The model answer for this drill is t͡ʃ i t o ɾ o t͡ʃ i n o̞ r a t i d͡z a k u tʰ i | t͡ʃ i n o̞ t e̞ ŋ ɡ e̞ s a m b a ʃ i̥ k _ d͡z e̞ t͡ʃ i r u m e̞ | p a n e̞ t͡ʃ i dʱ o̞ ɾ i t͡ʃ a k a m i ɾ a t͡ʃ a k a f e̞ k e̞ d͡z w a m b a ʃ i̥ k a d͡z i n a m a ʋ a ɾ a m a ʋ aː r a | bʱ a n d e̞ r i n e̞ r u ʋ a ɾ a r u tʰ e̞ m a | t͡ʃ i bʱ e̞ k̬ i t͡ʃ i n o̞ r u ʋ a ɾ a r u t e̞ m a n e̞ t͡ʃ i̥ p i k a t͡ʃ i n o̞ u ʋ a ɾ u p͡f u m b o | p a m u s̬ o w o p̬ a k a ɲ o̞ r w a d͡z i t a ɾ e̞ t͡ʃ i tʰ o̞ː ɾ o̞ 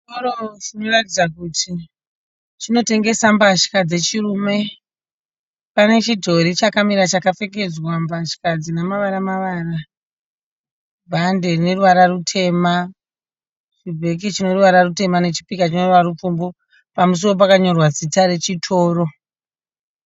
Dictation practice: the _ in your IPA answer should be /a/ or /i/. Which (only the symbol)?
a